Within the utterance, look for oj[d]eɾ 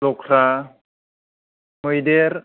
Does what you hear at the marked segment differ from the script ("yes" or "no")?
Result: no